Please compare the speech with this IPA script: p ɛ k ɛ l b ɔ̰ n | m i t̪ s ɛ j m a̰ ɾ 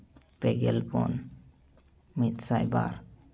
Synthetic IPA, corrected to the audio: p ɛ ɡ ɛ l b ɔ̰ n | m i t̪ s a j b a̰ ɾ